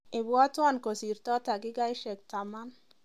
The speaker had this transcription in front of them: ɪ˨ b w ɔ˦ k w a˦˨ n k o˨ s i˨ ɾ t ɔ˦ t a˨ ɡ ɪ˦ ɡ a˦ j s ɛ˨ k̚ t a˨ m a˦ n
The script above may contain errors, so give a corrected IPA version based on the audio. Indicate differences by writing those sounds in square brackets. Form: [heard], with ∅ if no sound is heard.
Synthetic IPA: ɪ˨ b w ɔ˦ [t] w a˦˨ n k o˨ s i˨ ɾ t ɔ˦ t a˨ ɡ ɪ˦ ɡ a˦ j [ʃ] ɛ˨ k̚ t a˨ m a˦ n